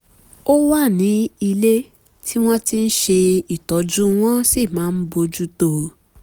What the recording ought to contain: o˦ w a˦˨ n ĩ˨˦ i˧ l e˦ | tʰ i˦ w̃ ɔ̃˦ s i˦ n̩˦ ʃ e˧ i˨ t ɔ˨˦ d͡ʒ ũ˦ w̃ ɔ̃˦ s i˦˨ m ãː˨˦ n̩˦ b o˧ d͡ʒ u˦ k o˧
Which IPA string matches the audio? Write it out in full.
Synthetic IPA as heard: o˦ w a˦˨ n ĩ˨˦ i˧ l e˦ | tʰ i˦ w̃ ɔ̃˦ t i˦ n̩˦ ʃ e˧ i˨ t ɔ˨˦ d͡ʒ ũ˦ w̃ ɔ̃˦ s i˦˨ m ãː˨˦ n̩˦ b o˧ d͡ʒ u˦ t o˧